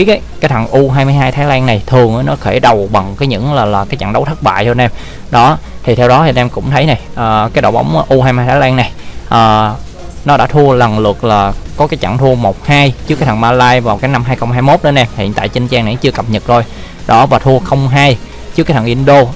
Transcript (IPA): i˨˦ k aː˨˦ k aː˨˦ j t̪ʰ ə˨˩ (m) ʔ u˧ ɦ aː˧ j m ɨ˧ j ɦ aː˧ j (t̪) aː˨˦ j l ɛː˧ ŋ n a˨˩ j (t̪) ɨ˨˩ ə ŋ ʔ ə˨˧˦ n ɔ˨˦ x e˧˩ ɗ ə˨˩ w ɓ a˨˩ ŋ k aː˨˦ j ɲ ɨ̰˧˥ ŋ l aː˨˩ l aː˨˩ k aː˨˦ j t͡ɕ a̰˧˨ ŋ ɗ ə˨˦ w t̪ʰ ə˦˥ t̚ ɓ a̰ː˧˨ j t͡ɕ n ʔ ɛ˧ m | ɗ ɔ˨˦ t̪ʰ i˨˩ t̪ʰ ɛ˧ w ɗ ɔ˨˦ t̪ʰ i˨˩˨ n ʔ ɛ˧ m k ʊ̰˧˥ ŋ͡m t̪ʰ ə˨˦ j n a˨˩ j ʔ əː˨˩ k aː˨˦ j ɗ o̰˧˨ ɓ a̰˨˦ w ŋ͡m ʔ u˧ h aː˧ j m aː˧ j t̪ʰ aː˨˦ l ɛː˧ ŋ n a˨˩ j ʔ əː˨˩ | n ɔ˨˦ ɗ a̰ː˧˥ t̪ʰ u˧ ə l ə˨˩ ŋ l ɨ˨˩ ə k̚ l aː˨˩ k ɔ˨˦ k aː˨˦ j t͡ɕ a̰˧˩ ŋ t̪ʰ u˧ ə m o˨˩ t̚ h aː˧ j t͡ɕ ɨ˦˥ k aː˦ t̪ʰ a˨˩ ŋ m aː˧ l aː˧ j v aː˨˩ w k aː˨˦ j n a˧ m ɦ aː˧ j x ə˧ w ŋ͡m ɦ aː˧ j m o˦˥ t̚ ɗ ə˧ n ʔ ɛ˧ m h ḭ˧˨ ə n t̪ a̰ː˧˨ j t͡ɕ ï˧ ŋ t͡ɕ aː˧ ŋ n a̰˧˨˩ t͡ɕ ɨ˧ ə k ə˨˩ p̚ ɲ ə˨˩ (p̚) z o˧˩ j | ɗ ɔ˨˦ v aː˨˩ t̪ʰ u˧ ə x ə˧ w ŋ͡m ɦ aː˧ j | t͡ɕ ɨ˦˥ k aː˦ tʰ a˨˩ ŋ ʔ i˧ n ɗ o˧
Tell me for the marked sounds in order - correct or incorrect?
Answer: incorrect, incorrect, incorrect, incorrect

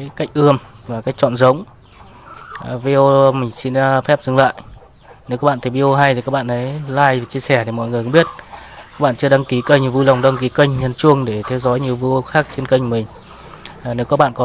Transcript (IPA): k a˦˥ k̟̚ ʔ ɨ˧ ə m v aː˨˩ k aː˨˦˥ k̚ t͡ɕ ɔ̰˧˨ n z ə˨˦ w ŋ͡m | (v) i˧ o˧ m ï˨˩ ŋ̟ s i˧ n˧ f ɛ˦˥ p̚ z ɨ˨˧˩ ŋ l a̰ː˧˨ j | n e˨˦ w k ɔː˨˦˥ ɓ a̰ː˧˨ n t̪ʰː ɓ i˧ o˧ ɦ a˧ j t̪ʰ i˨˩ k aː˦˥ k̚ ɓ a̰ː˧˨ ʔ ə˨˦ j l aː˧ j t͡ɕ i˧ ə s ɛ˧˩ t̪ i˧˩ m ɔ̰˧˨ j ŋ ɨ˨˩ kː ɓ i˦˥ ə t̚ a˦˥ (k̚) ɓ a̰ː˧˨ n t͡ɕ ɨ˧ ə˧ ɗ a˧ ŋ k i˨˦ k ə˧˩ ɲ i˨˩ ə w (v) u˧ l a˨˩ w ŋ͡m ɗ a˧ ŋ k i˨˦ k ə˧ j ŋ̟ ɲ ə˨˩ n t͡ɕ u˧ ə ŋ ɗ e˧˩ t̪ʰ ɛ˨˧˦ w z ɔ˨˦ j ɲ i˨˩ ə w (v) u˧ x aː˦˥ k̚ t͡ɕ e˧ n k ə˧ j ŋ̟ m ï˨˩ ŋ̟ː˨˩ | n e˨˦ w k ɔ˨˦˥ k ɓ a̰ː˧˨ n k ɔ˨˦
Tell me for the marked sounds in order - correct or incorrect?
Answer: correct, correct, correct, correct

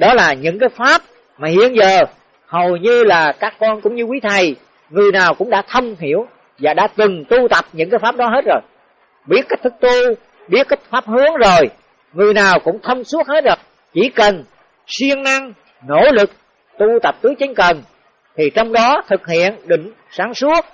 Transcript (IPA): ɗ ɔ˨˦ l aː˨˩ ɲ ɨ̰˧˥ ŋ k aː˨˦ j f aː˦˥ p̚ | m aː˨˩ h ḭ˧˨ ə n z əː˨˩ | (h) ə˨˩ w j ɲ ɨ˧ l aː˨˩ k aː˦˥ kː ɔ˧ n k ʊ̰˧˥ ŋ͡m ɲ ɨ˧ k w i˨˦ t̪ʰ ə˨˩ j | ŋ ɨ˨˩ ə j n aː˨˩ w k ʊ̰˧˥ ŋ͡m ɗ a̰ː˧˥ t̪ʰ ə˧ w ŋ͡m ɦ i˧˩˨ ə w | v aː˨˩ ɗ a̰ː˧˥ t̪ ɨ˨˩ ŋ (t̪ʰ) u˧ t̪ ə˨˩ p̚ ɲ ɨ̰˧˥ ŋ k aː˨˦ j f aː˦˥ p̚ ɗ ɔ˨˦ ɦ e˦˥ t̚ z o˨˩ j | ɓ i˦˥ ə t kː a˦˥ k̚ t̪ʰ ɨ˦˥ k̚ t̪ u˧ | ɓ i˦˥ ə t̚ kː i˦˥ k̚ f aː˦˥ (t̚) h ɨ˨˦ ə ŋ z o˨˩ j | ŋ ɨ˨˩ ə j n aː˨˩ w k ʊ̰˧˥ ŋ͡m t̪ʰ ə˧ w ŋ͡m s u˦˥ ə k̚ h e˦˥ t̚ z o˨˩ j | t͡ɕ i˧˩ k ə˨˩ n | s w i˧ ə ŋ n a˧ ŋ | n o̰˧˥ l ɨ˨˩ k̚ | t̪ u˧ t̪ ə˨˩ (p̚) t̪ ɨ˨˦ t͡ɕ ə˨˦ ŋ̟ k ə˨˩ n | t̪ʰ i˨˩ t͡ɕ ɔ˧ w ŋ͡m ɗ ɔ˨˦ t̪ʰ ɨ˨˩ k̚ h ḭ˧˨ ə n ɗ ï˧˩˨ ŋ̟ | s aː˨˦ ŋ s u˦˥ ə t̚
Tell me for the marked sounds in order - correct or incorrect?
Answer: correct, incorrect, incorrect, correct

